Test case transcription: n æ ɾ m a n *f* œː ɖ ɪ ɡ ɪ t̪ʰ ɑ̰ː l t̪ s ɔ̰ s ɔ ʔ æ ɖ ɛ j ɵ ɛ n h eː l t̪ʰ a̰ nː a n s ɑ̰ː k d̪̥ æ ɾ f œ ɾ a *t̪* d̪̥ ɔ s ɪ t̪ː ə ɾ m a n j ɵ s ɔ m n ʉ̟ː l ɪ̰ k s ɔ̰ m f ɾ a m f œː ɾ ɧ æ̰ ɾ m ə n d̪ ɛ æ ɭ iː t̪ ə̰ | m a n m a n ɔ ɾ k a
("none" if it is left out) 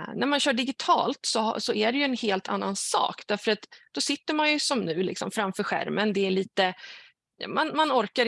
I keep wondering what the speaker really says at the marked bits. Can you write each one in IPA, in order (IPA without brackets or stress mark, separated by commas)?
ɕ, t̪